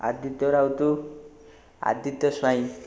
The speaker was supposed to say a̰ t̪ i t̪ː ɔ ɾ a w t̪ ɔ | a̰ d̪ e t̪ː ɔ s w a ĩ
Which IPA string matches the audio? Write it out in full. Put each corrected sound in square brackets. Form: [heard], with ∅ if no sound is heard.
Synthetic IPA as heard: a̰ [d̪] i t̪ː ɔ ɾ a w t̪ [u] | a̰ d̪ [i] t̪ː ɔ s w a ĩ